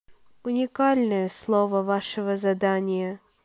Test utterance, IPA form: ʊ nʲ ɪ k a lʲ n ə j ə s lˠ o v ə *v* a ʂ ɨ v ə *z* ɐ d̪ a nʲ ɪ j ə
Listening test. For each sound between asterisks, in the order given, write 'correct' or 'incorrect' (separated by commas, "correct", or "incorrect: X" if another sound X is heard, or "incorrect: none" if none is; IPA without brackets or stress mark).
correct, correct